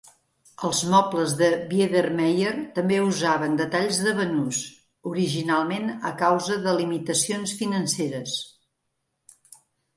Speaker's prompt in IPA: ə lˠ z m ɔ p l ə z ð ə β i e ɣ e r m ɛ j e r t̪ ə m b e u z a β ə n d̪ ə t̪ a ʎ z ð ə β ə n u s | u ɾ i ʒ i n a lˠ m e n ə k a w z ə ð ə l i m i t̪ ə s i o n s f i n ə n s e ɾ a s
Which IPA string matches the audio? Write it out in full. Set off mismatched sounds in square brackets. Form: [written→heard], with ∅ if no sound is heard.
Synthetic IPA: ə lˠ z m ɔ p l ə z ð ə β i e [ɣ→ð] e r m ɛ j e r t̪ ə m b e u z a β ə n d̪ ə t̪ a ʎ z ð ə β ə n u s | u ɾ i ʒ i n a lˠ m e n ə k a w z ə ð ə l i m i t̪ ə s i o n s f i n ə n s e ɾ [a→ə] s